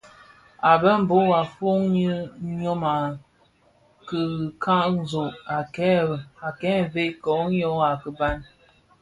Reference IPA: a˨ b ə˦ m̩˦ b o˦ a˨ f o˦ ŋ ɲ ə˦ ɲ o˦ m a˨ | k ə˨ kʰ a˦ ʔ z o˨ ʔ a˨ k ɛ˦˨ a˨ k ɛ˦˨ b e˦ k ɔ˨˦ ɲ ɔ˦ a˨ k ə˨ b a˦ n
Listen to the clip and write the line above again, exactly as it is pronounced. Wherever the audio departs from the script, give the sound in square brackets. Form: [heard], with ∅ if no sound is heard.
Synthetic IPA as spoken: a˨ b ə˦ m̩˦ b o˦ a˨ f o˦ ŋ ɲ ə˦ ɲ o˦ m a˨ | k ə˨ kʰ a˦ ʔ z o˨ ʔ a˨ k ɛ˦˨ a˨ k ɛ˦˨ [v] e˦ k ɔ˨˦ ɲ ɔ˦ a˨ k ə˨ b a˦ n